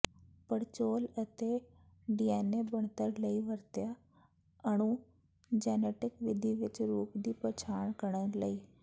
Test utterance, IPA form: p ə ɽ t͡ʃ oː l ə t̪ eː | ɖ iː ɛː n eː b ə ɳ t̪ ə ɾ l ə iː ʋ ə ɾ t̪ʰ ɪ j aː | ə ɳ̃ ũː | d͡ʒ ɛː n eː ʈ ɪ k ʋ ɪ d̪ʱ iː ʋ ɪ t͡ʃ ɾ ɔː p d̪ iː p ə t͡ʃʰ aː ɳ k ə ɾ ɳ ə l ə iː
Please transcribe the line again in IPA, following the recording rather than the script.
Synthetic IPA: p ə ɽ t͡ʃ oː l ə t̪ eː | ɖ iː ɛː n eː b ə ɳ t̪ ə ɾ l ə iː ʋ ə ɾ t̪ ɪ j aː | ə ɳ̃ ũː | d͡ʒ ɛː n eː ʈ ɪ k ʋ ɪ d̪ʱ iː ʋ ɪ t͡ʃ ɾ uː p d̪ iː p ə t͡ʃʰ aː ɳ k ə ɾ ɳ ə l ə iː